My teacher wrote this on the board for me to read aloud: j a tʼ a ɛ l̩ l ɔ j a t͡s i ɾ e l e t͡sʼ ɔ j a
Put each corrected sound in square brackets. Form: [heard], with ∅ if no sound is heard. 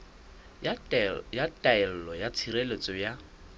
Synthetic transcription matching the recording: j a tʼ a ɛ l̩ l ɔ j a [t͡sʰ] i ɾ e l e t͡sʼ ɔ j a